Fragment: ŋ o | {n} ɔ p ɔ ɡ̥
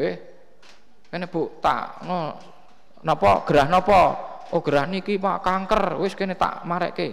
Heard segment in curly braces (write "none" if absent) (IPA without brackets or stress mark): n